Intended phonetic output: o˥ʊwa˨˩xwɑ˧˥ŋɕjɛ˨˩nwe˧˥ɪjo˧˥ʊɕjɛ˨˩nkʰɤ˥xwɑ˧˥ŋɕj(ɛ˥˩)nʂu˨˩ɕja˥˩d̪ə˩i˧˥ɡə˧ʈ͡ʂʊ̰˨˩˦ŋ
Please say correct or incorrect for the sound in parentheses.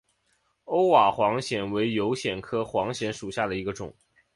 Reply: incorrect